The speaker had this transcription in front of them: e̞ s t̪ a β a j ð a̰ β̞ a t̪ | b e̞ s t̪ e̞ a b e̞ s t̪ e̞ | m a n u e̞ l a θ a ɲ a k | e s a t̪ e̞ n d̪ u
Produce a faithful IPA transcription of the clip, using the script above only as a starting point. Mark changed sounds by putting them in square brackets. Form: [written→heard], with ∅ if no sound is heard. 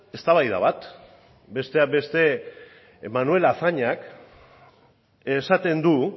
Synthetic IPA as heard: e̞ s t̪ a β a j ð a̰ β̞ a t̪ | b e̞ s t̪ e̞ a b e̞ s t̪ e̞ | m a n u e̞ l a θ a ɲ a k | e s a t̪ e̞ n d̪ u